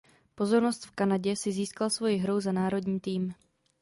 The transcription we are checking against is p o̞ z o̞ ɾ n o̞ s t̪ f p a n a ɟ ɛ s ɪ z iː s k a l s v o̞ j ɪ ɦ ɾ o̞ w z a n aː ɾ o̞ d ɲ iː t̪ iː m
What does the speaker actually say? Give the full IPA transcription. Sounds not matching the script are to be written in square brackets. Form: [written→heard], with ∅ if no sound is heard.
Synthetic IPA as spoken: p o̞ z o̞ ɾ n o̞ s t̪ f [p→k] a n a ɟ ɛ s ɪ z iː s k a l s v o̞ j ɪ ɦ ɾ o̞ w z a n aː ɾ o̞ d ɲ iː t̪ iː m